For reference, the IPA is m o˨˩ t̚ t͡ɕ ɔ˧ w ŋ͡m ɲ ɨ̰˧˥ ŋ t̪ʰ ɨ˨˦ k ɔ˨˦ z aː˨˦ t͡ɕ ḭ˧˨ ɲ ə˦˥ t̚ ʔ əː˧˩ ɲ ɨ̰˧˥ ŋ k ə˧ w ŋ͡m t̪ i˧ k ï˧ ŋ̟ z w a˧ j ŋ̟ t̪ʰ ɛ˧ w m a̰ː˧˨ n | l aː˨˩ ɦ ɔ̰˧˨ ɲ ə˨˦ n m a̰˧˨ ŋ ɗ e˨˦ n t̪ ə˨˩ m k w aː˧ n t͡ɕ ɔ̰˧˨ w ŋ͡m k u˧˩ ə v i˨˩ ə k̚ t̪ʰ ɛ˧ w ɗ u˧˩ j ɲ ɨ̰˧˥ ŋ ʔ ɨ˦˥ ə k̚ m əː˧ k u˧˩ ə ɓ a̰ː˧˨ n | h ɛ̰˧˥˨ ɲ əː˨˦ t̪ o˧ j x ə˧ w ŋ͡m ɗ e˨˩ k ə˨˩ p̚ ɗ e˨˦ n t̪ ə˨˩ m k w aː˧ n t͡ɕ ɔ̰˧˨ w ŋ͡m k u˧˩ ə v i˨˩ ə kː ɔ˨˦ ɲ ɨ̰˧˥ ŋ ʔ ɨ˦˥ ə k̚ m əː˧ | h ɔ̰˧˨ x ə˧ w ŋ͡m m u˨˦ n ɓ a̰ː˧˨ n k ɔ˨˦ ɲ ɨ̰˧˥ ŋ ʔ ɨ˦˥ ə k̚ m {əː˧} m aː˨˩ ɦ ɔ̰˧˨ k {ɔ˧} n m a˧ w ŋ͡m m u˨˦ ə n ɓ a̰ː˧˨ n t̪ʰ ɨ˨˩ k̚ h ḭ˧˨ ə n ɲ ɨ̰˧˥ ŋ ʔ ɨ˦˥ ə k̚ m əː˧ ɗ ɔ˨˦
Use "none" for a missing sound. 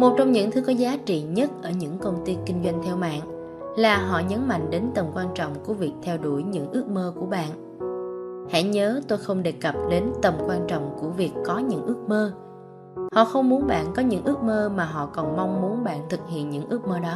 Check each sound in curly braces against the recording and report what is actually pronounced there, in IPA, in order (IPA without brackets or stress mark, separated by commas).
əː˧, ɔ˨˩